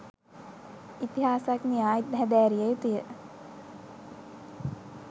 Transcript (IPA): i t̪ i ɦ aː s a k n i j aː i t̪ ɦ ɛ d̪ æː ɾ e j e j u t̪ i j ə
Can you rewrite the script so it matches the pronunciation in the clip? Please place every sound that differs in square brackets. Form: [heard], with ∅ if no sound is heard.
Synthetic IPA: i t̪ i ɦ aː s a k n i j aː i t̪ ɦ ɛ d̪ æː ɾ [i] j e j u t̪ i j ə